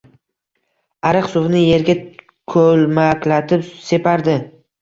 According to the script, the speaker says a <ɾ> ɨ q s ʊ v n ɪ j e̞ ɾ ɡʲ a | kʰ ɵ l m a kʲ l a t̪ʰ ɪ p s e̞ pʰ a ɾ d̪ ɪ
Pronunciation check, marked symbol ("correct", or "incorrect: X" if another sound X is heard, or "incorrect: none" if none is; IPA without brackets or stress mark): correct